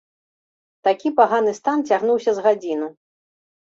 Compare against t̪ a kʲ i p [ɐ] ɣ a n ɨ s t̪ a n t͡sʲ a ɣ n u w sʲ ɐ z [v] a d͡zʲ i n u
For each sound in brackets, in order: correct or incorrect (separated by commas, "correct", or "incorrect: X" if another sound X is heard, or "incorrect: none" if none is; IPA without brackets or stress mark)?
incorrect: a, incorrect: ɣ